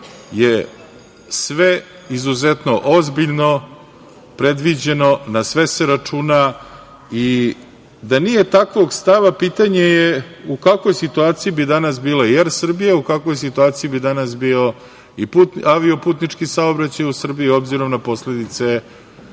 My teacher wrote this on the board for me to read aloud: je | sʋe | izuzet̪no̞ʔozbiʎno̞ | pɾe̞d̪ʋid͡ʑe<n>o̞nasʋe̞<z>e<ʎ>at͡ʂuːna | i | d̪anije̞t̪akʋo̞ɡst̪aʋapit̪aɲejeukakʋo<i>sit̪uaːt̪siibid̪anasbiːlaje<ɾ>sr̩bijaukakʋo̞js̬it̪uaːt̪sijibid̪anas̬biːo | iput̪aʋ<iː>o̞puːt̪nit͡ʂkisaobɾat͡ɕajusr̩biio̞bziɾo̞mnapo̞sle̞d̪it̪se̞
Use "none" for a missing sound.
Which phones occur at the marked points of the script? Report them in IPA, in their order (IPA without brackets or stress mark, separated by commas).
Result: n, s, ɾ, j, ɾ, i